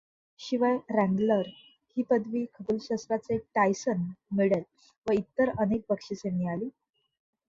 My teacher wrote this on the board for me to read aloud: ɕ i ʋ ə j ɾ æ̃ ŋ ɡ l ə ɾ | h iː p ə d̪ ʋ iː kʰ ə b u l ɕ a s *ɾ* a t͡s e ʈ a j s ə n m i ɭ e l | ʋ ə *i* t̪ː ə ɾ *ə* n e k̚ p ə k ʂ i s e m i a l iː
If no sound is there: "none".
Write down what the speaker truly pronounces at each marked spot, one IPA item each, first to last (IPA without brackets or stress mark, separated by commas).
ɾ, i, ə